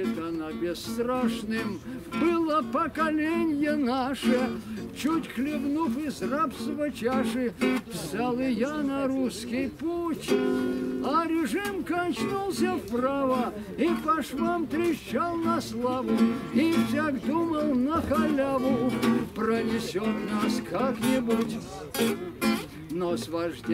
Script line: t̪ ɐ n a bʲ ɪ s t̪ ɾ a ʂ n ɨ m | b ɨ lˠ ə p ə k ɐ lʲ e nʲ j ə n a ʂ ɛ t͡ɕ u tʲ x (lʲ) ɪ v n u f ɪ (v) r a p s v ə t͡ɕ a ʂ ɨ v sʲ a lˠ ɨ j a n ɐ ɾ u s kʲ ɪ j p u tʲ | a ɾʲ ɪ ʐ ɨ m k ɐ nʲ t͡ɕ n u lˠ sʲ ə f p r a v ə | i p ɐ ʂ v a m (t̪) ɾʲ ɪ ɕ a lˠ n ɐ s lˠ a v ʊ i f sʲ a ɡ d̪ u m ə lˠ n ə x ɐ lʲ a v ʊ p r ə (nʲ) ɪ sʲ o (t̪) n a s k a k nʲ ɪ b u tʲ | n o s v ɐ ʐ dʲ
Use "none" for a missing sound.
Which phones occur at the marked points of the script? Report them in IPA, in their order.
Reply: lʲ, z, t̪, nʲ, t̪

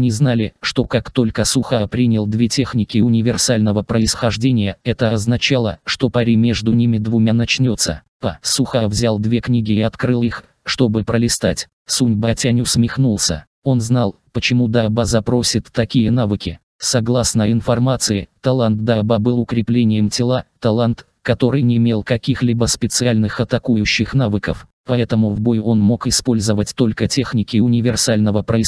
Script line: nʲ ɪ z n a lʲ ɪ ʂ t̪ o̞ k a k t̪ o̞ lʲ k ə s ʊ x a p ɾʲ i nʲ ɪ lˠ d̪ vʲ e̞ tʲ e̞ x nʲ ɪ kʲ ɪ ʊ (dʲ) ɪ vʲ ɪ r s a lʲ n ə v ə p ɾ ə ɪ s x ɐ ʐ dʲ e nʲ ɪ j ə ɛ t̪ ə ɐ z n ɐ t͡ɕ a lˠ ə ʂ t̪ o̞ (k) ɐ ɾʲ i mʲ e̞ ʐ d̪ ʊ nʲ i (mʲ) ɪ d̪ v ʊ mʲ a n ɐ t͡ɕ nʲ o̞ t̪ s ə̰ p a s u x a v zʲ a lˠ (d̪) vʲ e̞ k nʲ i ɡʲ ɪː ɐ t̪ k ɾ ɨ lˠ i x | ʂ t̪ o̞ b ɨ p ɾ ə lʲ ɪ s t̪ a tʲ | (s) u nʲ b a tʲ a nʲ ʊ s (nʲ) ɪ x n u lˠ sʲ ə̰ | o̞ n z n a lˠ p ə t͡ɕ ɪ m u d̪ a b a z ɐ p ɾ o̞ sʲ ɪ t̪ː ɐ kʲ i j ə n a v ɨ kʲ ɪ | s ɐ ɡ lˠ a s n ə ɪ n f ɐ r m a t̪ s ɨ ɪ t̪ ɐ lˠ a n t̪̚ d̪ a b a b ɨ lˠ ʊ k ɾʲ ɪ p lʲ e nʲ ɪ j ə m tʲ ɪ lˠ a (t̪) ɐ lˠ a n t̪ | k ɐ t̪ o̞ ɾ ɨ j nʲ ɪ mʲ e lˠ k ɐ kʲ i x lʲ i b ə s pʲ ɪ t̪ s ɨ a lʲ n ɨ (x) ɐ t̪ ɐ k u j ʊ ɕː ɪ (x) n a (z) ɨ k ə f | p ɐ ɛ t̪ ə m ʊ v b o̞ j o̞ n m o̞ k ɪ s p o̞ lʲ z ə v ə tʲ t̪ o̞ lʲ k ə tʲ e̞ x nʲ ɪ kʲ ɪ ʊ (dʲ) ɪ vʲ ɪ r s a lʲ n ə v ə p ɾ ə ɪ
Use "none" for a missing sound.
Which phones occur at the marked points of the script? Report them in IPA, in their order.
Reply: nʲ, p, mʲ, d̪, s, mʲ, t̪, x, x, v, nʲ

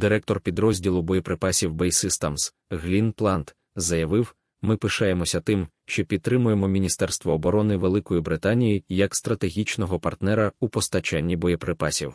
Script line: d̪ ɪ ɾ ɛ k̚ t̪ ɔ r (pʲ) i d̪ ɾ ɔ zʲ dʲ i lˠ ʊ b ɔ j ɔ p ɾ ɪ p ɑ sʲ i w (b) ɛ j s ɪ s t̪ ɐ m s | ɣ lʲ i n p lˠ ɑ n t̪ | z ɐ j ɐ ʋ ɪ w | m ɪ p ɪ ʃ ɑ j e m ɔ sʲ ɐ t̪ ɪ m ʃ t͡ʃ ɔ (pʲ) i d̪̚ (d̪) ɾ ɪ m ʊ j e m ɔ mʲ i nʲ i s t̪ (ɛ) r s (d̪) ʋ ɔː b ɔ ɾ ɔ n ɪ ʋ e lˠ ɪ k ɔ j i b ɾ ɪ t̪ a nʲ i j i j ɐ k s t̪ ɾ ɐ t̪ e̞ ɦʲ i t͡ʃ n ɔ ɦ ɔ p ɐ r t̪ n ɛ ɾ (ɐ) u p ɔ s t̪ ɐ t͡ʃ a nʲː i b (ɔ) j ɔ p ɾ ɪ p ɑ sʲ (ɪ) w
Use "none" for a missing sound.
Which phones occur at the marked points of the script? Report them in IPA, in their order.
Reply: pʲ, b, pʲ, t̪, ɛ, t̪, ɐ, ɔ, i

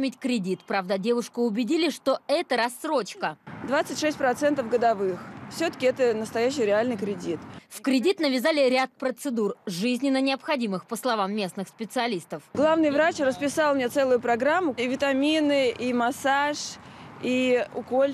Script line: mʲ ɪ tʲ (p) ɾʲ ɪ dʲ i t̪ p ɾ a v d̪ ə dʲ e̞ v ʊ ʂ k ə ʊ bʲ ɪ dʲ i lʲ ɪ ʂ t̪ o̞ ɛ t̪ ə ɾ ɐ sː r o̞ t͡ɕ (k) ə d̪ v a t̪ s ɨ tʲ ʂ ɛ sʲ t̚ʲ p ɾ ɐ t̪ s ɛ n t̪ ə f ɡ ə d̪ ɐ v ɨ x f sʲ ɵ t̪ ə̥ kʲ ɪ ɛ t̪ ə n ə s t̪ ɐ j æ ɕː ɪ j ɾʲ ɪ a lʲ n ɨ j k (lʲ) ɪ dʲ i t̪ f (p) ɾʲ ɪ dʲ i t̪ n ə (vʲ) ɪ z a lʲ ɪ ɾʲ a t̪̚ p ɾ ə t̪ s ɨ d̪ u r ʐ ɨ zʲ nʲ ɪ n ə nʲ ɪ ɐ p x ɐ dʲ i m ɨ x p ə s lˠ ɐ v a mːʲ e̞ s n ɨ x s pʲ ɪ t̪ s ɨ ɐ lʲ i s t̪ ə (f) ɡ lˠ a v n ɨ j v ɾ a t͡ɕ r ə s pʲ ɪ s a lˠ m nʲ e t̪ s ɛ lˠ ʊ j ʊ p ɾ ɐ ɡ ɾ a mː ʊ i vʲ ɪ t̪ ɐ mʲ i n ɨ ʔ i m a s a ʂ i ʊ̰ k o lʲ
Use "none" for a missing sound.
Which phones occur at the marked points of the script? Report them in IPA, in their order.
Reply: k, k, ɾʲ, k, vʲ, f

